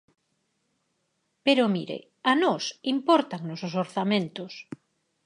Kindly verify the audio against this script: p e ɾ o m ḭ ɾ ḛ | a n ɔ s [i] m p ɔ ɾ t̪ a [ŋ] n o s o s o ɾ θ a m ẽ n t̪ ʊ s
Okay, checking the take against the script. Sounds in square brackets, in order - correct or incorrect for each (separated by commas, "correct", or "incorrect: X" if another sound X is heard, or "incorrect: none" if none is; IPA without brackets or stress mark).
correct, correct